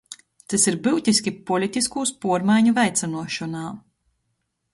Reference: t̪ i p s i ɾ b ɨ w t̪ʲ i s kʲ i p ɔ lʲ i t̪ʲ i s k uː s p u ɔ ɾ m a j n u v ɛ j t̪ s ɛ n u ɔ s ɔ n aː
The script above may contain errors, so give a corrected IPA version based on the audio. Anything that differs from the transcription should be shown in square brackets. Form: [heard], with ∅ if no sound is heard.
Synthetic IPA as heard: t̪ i [∅] s i ɾ b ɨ w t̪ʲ i s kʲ i p ɔ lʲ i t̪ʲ i s k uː s p u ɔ ɾ m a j [ɲ] u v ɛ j t̪ s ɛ n u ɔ [ʃ] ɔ n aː